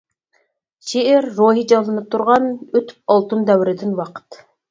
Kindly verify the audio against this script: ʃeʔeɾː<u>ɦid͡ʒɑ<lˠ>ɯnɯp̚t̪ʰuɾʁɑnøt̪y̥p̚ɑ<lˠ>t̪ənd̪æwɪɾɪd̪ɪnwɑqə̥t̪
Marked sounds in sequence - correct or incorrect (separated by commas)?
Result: incorrect, correct, correct